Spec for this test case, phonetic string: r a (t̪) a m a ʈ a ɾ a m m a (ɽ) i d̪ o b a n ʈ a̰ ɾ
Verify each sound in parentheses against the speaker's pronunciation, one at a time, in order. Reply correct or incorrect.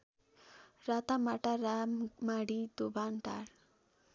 correct, correct

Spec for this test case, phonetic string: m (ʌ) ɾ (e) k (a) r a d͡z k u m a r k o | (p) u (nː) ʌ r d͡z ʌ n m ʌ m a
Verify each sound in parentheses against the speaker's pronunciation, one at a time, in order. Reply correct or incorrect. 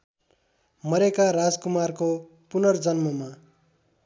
correct, correct, correct, correct, incorrect: n

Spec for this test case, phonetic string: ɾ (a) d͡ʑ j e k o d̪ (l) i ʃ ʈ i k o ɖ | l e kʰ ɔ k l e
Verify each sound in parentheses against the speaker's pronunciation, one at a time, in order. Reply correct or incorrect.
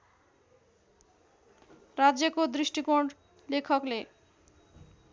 correct, incorrect: ɾ

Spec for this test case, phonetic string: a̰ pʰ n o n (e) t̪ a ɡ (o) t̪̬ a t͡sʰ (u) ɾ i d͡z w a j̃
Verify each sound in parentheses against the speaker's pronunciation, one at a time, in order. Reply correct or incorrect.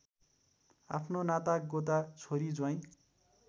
incorrect: a, correct, incorrect: o

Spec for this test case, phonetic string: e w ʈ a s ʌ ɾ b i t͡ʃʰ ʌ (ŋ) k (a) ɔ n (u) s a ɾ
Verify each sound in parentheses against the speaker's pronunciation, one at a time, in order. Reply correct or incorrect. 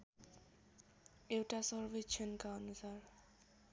incorrect: n, correct, correct

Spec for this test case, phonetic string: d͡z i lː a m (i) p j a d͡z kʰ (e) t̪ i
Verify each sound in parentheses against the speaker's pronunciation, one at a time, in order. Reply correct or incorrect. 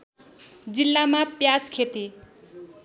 incorrect: a, correct

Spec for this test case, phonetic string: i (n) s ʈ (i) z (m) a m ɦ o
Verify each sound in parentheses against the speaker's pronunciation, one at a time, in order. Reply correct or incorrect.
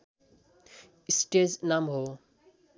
incorrect: none, incorrect: e, incorrect: n

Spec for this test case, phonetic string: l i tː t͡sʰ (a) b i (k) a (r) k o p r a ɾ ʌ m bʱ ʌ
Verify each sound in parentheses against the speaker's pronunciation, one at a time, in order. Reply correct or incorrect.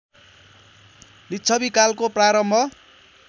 incorrect: ʌ, correct, incorrect: l

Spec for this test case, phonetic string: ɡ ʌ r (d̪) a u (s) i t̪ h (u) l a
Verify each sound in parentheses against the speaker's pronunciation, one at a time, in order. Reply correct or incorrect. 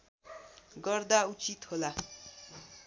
correct, incorrect: t͡s, incorrect: o

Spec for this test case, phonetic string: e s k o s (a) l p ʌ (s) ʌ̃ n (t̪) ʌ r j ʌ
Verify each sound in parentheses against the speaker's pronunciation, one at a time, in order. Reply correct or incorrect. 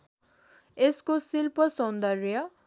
incorrect: i, correct, incorrect: d̪

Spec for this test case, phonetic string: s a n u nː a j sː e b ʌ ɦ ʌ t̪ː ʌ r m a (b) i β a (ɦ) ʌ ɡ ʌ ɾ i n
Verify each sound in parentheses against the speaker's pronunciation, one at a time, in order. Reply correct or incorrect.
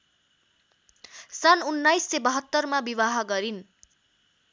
correct, correct

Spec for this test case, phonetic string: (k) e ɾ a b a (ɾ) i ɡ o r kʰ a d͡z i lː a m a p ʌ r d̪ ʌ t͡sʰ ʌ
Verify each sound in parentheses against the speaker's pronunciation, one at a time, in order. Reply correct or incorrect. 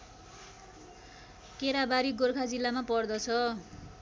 correct, correct

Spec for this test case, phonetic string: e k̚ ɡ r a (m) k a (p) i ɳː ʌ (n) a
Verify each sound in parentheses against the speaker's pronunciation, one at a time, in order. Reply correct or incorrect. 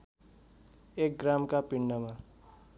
correct, correct, incorrect: m

